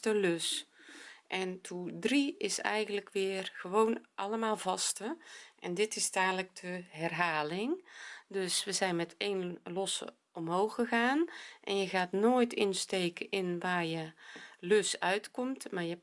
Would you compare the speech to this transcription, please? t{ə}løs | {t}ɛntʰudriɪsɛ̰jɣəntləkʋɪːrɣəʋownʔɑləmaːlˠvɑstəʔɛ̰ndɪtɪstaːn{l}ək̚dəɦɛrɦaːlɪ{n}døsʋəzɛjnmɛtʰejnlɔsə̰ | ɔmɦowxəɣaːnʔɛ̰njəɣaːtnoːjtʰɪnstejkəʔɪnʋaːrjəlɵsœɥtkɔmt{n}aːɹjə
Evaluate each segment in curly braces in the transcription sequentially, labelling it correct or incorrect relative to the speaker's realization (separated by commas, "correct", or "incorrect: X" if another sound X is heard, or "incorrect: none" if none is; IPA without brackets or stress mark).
correct, incorrect: ʔ, correct, incorrect: ŋ, incorrect: m